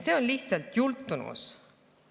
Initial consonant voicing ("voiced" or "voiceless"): voiceless